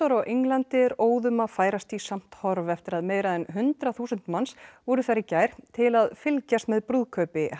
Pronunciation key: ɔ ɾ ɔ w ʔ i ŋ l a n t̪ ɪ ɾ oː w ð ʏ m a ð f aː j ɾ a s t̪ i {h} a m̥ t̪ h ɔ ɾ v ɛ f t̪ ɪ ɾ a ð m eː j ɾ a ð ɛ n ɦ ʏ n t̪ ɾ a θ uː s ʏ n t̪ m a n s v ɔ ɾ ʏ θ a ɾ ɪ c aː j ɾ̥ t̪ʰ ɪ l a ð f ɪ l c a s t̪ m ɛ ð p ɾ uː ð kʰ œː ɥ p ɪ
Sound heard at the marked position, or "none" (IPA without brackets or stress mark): s